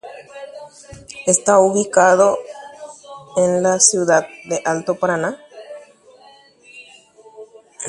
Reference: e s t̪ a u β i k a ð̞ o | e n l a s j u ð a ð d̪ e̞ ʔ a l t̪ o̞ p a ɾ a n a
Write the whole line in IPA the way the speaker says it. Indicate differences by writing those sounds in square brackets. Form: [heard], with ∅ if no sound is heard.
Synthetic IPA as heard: e s t̪ a u β i k a ð̞ o | e n l a s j u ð a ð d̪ e̞ ʔ a l t̪ o̞ p a ɾ a n a